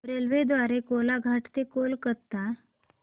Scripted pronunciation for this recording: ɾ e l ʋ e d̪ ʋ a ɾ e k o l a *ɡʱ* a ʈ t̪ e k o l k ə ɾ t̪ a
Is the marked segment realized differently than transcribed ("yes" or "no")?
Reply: no